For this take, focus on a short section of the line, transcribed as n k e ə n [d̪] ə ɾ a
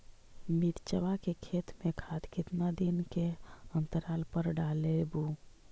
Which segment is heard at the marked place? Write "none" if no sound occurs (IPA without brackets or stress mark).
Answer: t̪